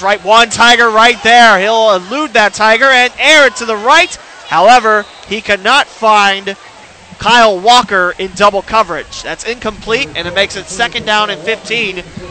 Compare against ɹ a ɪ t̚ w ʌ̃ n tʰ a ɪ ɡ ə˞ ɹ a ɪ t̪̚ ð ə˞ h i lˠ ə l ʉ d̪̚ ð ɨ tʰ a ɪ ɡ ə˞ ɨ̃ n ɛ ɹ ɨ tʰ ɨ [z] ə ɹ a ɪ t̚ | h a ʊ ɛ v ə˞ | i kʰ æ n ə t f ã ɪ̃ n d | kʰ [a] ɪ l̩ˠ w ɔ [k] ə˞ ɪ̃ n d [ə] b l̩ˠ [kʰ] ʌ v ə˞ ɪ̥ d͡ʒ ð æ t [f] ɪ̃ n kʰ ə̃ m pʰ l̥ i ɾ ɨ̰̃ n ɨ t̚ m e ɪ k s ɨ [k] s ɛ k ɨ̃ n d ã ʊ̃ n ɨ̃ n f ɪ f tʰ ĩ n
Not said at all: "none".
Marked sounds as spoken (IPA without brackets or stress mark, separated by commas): ð, a, k, ʌ, kʰ, s, t